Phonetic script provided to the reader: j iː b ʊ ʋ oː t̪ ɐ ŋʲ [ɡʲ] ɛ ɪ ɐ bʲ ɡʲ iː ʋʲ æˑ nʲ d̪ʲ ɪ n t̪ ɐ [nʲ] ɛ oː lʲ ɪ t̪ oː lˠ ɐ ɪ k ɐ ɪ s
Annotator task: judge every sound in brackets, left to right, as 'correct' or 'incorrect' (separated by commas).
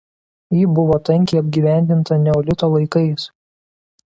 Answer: incorrect, correct